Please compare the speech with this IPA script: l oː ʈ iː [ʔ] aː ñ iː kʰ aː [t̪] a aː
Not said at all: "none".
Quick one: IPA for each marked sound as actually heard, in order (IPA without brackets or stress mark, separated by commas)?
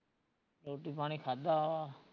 p, d̪